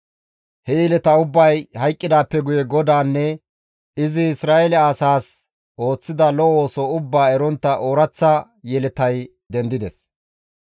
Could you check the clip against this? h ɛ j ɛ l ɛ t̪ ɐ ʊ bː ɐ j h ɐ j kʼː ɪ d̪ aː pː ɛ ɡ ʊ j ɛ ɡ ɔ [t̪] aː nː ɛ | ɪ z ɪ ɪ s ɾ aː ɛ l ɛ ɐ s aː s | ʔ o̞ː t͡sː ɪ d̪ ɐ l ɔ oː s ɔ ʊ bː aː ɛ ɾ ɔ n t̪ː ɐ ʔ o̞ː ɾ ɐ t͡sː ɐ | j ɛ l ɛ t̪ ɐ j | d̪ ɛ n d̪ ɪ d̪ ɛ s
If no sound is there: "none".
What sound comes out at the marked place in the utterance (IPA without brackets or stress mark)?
d̪